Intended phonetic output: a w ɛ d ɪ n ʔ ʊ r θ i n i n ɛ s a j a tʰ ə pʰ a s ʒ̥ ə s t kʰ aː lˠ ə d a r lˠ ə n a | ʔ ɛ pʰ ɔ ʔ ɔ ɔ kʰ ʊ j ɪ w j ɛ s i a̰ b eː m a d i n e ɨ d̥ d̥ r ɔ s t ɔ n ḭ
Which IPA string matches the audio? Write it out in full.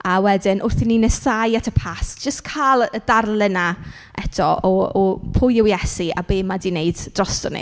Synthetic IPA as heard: a w ɛ d ɪ n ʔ ʊ r θ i n i n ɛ s a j a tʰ ə pʰ a s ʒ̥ ə s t kʰ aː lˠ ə d a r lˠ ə n a | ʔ ɛ tʰ ɔ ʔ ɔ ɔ pʰ ʊ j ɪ w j ɛ s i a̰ b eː m a d i n e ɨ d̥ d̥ r ɔ s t ɔ n ḭ